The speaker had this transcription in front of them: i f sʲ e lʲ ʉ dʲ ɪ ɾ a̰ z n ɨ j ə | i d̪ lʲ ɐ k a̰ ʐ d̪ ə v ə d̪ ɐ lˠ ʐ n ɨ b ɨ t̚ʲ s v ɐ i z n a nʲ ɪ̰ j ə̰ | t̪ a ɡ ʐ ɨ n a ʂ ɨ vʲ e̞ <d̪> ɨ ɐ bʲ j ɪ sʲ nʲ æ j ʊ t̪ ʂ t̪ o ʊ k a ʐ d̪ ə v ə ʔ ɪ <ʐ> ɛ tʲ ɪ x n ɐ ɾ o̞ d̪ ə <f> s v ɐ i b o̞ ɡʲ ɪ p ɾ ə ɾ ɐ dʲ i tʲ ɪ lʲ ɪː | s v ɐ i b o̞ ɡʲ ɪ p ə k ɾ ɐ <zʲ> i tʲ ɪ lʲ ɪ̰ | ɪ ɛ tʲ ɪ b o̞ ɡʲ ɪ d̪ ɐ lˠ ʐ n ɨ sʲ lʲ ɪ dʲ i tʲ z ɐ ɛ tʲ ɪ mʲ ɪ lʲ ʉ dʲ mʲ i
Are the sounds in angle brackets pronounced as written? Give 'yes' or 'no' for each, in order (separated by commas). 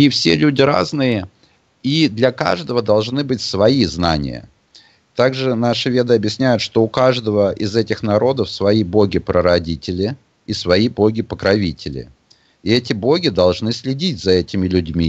yes, no, yes, no